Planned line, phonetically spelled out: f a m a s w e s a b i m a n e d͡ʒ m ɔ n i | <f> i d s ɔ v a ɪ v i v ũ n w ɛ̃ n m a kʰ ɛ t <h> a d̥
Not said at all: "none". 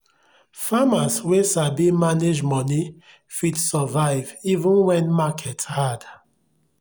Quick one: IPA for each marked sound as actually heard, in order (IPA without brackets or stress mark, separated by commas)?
f, h